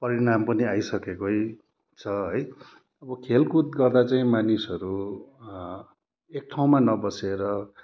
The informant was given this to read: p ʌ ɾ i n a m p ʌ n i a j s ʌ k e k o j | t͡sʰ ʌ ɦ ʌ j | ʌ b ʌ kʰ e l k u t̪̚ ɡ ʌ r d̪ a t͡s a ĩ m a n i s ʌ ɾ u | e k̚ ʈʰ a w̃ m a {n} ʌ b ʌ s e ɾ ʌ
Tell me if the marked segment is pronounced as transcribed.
yes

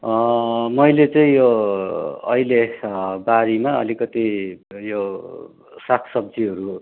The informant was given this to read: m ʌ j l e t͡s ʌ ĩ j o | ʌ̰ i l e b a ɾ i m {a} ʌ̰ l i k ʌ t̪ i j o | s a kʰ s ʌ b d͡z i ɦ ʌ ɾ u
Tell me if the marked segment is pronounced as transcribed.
yes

